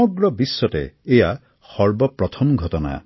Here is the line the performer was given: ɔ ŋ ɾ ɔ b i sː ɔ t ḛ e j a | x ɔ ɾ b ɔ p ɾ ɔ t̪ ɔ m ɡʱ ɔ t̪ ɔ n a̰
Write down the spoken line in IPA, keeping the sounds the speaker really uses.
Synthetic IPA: ɔ ɡ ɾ ɔ b i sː ɔ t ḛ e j a | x ɔ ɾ b ɔ p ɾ ɔ t̪ʰ ɔ m ɡʱ ɔ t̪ ɔ n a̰